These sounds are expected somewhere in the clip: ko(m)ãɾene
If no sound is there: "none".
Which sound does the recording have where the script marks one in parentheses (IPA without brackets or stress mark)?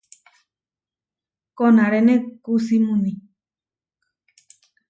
n